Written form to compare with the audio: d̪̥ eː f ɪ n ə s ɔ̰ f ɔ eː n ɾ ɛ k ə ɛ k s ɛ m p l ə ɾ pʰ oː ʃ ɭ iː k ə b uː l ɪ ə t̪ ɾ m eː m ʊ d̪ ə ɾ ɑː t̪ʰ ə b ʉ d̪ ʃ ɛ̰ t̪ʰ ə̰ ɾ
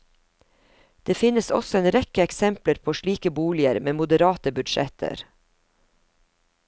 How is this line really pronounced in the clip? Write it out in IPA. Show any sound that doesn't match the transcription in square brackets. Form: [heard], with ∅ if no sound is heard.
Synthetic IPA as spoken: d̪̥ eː f ɪ n ə s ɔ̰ [s] ɔ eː n ɾ ɛ k ə ɛ k s ɛ m p l ə ɾ pʰ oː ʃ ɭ iː k ə b uː l ɪ ə [∅] ɾ m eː m ʊ d̪ ə ɾ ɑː [t̪] ə b ʉ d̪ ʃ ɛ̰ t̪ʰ ə̰ ɾ